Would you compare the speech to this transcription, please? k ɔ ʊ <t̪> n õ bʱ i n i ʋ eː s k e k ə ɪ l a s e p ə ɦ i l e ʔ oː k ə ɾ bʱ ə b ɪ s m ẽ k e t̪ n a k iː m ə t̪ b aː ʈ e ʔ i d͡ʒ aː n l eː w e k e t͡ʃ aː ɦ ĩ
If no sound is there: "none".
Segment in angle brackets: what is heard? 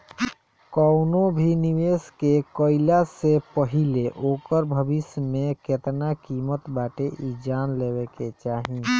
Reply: none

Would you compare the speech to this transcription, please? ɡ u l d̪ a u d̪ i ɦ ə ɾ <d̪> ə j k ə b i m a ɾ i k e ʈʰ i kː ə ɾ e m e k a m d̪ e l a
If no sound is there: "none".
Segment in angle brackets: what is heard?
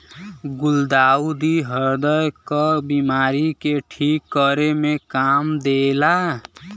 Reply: d̪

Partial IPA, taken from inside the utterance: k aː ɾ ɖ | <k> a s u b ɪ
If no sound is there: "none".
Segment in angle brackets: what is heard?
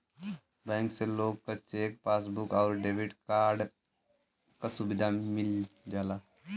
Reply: k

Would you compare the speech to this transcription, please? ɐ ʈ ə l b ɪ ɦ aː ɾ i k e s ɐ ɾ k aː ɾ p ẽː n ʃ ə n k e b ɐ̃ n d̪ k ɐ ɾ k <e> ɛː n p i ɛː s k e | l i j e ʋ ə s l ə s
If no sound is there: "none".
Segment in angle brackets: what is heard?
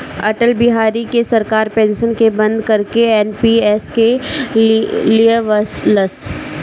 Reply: e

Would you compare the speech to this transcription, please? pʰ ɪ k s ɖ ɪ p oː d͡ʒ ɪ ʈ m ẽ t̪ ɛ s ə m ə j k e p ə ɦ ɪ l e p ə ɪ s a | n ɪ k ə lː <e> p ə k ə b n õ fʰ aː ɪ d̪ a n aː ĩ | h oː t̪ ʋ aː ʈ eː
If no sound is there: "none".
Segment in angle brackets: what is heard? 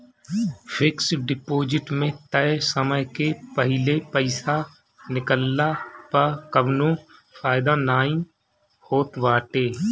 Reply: a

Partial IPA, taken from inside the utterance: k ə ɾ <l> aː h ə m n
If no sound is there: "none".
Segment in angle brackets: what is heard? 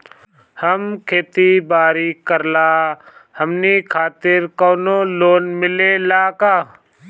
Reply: l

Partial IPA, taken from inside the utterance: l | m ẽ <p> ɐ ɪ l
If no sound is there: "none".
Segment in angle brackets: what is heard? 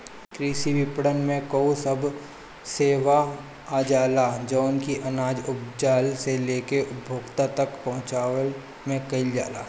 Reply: k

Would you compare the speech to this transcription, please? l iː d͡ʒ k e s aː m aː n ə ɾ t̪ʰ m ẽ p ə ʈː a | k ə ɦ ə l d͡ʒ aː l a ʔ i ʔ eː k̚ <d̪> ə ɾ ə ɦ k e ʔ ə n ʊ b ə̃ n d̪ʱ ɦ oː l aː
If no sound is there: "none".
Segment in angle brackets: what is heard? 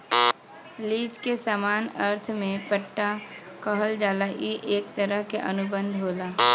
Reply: t̪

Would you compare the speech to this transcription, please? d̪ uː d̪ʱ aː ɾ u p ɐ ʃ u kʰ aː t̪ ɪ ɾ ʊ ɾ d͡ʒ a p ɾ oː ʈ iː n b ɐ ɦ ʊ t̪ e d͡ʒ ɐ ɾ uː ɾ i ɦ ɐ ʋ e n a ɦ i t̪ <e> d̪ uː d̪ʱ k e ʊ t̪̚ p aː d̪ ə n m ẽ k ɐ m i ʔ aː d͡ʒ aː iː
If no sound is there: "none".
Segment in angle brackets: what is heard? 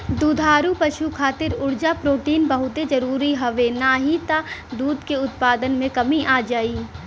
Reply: a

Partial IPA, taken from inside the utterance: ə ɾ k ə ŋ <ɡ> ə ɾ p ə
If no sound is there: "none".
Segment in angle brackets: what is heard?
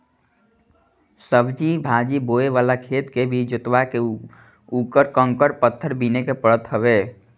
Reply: k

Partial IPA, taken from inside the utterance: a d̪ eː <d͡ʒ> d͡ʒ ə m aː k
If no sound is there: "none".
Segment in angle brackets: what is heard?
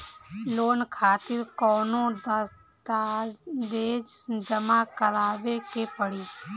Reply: d͡ʒ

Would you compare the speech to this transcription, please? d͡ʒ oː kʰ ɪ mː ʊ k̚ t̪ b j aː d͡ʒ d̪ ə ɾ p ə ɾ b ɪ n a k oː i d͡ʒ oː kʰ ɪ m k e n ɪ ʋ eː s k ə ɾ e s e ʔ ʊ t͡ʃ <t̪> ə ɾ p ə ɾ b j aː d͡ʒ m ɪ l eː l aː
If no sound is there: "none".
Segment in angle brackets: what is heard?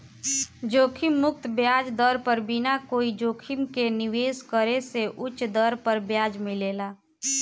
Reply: d̪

